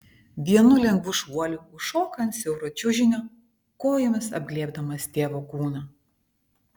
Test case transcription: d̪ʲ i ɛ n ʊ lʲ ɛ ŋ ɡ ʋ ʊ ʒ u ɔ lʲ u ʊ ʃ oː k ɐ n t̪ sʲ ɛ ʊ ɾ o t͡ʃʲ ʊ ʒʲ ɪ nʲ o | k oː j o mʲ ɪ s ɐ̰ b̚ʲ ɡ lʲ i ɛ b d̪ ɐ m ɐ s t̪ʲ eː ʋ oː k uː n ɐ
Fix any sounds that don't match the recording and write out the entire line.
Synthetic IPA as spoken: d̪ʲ i ɛ n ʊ lʲ ɛ ŋ ɡ ʋ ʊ ʃ u ɔ lʲ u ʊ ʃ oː k ɐ n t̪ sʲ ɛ ʊ ɾ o t͡ʃʲ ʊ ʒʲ ɪ nʲ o | k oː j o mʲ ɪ s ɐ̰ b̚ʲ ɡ lʲ i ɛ b d̪ ɐ m ɐ s t̪ʲ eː ʋ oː k uː n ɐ